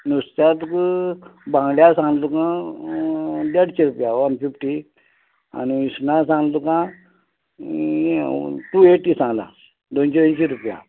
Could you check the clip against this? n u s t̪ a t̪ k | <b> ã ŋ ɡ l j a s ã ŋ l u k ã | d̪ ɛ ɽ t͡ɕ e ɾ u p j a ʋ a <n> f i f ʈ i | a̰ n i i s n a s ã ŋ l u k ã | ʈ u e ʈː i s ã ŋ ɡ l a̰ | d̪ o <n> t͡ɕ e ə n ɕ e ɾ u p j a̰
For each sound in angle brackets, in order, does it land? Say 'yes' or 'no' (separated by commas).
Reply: yes, yes, yes